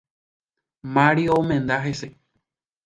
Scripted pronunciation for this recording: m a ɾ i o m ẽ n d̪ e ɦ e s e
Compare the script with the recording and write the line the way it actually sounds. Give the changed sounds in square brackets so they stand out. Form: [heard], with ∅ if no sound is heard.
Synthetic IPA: m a ɾ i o m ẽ n d̪ [a] ɦ e s e